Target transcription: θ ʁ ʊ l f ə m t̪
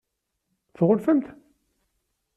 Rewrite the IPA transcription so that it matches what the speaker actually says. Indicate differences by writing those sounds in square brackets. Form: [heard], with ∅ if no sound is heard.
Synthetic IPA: θ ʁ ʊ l f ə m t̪